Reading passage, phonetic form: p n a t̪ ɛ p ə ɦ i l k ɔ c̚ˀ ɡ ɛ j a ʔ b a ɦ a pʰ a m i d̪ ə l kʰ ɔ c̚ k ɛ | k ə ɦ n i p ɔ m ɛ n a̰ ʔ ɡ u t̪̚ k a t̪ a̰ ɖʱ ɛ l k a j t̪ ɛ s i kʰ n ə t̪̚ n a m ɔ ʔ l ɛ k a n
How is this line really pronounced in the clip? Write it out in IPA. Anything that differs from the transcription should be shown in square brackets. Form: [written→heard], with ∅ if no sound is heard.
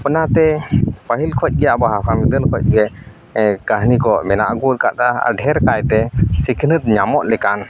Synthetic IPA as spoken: p n a t̪ ɛ p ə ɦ i l [k→kʰ] ɔ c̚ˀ ɡ ɛ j a ʔ b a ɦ a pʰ a m i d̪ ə l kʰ ɔ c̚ [k→ɡ] ɛ | k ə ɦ n i [p→k] ɔ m ɛ n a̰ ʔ ɡ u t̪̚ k a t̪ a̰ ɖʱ ɛ [l→ɾ] k a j t̪ ɛ s i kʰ n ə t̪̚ [n→ɲ] a m ɔ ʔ l ɛ k a n